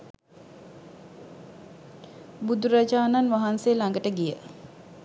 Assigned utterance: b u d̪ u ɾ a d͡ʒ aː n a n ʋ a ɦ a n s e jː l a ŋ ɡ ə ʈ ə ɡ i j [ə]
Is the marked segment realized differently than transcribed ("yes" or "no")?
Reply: no